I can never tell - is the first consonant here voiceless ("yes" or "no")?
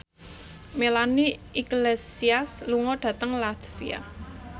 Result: no